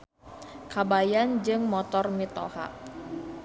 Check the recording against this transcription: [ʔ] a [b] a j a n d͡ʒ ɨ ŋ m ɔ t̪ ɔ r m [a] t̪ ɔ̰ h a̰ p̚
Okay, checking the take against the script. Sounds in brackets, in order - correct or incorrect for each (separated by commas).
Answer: incorrect, correct, incorrect